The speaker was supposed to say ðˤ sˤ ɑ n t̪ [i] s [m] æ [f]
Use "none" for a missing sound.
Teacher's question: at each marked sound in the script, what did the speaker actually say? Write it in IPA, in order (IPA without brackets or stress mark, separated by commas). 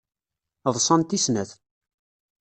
i, n, θ